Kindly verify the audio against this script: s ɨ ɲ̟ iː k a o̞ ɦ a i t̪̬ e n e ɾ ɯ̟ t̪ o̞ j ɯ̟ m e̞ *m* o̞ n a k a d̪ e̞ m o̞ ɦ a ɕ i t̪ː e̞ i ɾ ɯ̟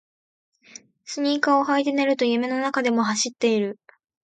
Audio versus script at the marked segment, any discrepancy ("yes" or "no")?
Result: yes